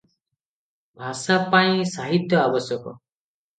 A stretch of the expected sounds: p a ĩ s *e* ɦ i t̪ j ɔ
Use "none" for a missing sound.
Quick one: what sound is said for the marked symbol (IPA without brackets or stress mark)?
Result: a